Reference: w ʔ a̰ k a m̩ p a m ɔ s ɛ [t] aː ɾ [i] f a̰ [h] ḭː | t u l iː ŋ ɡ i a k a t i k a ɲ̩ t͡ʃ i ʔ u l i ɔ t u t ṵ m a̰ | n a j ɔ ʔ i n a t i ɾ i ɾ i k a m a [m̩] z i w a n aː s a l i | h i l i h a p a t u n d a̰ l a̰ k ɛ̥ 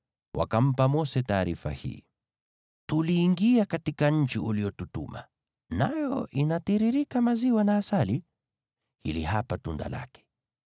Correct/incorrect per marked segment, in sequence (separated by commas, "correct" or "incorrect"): correct, correct, correct, incorrect